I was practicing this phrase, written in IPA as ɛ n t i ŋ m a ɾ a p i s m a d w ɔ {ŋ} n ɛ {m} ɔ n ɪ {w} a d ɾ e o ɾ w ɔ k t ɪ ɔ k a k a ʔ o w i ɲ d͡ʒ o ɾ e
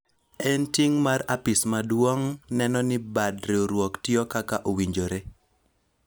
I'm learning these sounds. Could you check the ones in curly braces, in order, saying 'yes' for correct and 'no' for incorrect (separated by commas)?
yes, no, no